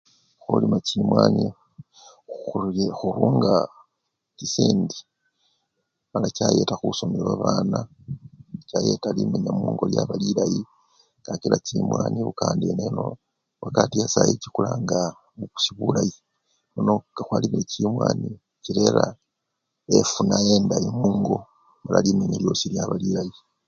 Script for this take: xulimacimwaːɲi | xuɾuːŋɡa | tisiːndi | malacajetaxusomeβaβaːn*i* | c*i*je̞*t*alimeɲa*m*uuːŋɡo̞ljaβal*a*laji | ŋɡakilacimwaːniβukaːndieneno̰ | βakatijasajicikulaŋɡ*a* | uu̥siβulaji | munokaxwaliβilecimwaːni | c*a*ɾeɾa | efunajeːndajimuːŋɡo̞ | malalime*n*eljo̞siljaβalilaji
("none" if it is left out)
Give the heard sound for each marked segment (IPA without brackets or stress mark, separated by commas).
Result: a, a, t, m, i, a, i, ɲ